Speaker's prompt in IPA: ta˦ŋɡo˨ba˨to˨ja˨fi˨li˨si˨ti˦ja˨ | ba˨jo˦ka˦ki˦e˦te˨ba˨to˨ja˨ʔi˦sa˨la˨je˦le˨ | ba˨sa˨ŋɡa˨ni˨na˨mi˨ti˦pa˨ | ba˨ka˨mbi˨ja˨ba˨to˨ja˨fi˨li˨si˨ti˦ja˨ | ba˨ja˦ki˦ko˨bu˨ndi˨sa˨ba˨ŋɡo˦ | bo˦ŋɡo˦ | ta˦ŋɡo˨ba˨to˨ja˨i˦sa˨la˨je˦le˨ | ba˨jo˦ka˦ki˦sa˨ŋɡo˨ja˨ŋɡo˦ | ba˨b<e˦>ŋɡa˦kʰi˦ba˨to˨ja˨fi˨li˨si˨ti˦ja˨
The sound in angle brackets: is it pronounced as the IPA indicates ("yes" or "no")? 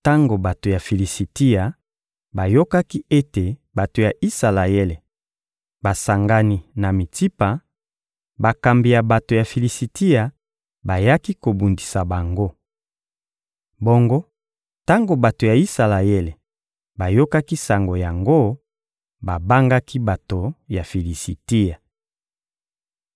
no